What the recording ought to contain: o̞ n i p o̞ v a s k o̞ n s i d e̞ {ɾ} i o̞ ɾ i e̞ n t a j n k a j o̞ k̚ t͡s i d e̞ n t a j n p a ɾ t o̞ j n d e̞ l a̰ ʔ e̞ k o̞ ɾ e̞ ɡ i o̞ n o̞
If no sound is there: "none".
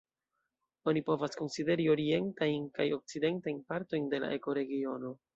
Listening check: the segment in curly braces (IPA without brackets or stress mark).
ɾ